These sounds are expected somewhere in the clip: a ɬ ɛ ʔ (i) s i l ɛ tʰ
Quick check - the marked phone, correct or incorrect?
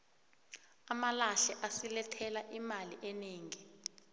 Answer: incorrect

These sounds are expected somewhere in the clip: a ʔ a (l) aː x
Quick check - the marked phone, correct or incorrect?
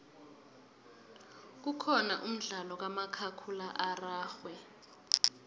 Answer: incorrect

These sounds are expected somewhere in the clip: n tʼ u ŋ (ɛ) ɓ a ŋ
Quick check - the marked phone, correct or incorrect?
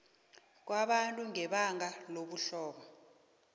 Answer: correct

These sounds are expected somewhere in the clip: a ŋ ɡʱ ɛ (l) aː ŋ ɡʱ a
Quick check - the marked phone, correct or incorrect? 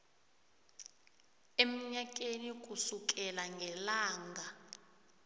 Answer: correct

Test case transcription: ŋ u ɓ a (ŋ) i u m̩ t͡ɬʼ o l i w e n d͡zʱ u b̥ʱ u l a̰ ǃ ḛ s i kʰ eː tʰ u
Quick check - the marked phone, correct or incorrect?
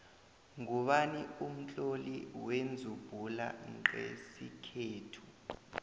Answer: incorrect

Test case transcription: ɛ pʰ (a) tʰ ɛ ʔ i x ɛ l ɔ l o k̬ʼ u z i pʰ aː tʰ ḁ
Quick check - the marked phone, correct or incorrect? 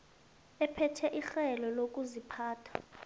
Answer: incorrect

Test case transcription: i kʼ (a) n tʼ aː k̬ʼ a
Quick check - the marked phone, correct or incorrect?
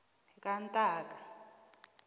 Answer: correct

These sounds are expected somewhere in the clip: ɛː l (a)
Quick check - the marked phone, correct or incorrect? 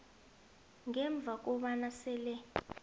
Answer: incorrect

